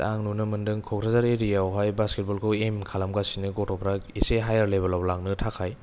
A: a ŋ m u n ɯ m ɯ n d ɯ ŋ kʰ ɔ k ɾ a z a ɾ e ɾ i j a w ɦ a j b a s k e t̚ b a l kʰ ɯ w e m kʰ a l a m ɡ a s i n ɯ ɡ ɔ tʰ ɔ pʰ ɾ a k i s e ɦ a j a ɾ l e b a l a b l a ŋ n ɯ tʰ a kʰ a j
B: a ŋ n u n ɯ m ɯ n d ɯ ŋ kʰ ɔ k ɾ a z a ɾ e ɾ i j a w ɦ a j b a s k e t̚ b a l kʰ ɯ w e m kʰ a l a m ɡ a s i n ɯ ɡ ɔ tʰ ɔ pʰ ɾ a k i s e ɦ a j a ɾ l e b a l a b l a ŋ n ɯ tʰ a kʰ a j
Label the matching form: B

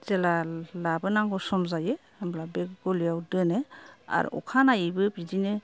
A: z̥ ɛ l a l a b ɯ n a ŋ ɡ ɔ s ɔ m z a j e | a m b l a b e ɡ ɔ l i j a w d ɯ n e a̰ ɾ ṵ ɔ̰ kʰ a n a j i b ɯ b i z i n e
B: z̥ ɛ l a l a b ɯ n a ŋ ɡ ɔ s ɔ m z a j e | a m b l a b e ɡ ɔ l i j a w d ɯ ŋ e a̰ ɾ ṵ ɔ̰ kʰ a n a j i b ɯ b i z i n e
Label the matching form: A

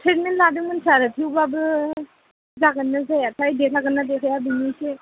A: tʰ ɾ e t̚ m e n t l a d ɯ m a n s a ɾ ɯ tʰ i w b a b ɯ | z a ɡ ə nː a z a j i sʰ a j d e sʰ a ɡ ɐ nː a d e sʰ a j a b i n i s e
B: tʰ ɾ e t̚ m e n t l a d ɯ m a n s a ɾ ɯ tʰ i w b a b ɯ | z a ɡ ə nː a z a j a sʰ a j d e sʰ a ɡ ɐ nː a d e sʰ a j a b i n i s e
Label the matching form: B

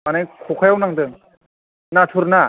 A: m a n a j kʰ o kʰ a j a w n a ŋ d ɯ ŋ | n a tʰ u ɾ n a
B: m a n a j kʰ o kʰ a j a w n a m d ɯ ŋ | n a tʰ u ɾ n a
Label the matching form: A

